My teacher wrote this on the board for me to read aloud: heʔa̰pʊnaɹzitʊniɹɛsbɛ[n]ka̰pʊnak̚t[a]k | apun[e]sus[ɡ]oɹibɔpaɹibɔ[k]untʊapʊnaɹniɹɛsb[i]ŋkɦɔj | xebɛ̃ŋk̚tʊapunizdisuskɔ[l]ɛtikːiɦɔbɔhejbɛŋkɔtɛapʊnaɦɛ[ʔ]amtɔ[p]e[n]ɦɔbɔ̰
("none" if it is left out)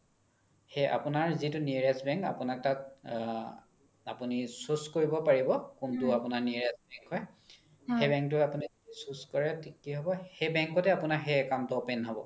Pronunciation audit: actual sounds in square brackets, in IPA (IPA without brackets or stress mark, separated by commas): ŋ, a, i, k, k, ɛ, ɹ, k, p, n